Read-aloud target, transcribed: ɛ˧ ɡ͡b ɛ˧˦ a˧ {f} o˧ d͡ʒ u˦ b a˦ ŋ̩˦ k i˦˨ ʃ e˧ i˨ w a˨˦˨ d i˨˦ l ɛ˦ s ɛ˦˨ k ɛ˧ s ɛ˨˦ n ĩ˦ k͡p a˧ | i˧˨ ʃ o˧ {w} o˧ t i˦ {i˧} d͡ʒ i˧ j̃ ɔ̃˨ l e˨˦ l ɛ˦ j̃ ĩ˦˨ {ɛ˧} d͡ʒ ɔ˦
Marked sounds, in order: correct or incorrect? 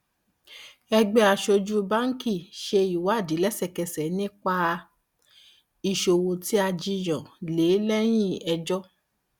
incorrect, correct, incorrect, correct

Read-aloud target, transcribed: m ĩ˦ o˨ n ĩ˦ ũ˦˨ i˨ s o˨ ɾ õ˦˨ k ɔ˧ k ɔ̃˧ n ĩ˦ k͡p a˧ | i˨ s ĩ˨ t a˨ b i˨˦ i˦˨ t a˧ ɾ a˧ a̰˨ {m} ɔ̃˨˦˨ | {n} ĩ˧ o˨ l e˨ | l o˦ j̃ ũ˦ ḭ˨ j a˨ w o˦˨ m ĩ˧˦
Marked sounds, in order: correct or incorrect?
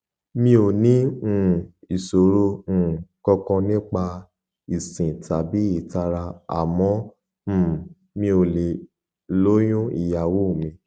correct, incorrect

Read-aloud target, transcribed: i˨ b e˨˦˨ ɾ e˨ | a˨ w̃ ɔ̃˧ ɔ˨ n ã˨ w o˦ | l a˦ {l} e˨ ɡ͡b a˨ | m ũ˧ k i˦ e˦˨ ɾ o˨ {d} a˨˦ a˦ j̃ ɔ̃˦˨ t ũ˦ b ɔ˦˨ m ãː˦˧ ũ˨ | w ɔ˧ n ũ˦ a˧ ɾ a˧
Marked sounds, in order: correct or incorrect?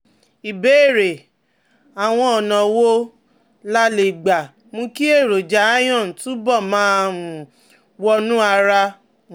correct, incorrect

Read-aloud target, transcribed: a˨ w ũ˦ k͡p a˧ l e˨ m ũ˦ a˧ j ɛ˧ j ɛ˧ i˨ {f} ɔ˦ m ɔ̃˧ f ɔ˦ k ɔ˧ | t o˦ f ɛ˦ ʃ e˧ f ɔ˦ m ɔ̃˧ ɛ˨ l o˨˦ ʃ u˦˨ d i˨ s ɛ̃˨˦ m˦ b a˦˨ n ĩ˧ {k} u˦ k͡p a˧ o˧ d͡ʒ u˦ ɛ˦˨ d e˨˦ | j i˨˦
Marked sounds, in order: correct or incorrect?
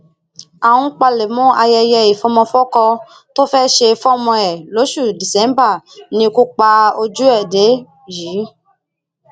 correct, correct

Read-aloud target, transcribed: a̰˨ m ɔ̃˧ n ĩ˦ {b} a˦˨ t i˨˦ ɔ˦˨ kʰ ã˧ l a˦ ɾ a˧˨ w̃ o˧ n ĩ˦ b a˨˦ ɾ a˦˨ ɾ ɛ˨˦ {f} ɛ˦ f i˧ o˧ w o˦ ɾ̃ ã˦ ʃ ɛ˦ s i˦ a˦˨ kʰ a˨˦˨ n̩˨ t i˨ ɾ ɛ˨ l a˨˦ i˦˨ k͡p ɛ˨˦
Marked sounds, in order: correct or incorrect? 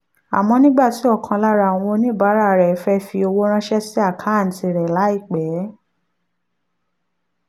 incorrect, correct

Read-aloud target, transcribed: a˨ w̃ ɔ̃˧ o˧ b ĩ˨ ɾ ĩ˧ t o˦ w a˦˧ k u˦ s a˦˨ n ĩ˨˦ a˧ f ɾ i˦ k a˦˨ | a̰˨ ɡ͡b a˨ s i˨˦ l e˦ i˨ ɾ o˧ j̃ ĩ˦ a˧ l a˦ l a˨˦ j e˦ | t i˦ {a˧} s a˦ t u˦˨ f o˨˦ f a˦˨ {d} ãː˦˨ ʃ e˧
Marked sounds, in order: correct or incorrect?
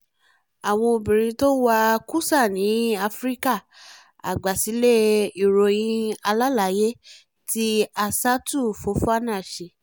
correct, incorrect

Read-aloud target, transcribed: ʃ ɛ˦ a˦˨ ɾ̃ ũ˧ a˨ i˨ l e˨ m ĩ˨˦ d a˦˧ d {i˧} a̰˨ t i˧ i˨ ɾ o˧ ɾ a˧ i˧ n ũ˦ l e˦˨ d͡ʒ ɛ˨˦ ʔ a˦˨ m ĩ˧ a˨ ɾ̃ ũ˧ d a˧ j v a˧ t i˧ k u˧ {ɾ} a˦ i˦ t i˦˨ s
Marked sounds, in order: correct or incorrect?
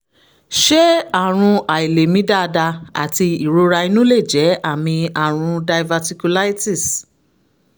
incorrect, incorrect

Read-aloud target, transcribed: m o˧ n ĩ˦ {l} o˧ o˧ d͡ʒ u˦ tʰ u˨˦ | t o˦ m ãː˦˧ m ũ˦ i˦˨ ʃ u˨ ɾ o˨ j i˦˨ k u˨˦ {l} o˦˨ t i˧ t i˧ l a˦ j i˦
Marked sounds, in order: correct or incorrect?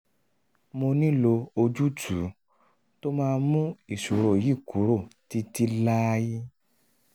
correct, incorrect

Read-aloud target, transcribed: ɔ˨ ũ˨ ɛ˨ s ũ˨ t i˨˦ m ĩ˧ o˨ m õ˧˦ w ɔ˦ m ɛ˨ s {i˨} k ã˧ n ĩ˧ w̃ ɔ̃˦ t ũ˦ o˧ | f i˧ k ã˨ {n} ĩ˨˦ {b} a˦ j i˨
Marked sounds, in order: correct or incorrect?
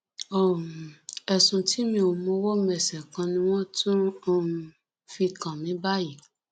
incorrect, incorrect, correct

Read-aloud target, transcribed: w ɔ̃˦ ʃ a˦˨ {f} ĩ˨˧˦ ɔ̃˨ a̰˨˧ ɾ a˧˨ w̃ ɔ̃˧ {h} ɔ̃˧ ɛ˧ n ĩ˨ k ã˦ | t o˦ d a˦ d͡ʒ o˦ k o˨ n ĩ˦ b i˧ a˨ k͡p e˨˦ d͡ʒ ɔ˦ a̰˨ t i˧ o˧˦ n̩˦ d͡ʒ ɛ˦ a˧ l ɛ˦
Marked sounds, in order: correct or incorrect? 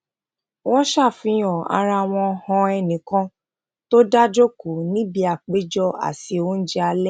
correct, correct

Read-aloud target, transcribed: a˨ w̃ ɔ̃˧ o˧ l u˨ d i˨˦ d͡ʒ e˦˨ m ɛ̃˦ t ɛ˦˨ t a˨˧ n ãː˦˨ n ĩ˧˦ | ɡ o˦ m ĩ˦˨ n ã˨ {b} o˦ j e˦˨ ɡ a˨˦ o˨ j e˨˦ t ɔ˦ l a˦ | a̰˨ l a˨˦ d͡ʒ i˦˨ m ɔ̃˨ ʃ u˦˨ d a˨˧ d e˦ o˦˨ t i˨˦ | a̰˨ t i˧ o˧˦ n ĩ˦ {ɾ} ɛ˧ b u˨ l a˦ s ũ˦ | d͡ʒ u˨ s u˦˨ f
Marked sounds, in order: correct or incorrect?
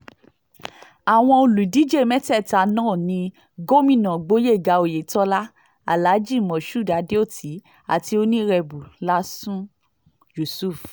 incorrect, correct

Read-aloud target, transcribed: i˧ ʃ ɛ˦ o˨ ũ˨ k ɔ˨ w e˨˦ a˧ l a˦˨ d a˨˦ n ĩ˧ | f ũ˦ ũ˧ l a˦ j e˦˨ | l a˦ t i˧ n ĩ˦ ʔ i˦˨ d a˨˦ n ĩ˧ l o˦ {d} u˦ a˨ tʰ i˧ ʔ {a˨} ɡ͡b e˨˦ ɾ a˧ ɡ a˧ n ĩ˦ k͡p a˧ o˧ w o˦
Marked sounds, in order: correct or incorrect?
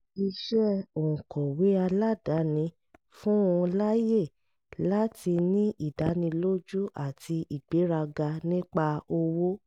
incorrect, incorrect

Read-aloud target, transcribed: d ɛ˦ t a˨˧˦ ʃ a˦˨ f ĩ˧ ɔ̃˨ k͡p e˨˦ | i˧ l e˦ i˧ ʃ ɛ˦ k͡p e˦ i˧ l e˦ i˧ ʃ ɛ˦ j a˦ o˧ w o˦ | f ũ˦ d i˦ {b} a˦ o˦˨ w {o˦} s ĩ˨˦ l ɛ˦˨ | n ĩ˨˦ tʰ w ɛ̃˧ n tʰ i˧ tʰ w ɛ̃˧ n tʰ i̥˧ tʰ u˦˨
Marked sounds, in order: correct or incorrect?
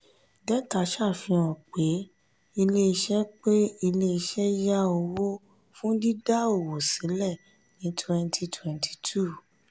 incorrect, incorrect

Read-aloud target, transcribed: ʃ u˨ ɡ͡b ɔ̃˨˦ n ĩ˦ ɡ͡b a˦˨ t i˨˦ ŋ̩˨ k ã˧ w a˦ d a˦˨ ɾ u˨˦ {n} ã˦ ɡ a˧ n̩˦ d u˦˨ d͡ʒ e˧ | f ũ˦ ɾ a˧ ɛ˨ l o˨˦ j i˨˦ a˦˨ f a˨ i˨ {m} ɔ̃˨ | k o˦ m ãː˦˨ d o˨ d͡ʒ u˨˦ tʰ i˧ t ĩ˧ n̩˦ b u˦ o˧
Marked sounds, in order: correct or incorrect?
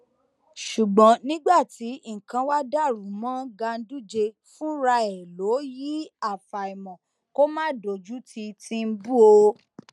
incorrect, correct

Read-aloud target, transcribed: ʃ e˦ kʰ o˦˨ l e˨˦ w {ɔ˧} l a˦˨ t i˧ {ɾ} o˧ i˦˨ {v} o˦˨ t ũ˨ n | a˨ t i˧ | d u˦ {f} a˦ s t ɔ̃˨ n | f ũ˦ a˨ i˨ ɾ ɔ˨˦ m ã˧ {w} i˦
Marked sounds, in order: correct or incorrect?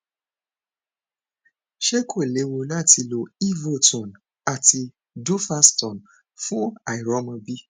incorrect, incorrect, correct, correct, incorrect

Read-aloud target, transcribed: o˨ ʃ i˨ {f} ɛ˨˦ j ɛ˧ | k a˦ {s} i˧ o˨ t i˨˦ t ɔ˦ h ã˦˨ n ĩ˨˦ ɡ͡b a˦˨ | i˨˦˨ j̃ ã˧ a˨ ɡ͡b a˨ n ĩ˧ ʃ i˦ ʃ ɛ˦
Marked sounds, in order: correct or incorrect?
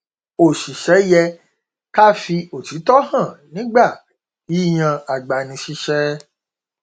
incorrect, incorrect

